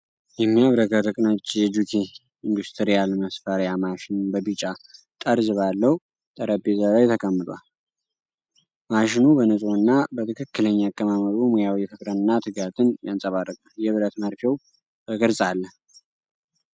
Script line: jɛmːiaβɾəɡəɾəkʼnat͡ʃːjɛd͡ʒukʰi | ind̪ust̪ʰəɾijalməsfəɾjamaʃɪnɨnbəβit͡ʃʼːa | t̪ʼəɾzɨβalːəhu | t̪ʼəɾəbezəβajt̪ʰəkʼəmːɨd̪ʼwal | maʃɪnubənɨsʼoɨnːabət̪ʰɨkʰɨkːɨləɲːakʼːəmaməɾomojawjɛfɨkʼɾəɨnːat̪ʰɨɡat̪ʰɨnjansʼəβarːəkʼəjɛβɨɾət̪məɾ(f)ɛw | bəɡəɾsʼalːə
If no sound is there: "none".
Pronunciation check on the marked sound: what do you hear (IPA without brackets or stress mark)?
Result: f